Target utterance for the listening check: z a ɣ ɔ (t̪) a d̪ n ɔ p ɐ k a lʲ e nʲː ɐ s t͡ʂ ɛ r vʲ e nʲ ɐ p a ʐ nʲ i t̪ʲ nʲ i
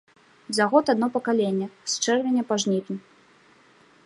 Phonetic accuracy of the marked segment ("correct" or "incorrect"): correct